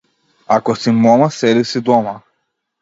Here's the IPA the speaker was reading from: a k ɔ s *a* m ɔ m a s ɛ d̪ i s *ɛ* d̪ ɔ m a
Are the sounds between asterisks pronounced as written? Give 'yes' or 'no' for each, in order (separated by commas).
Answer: no, no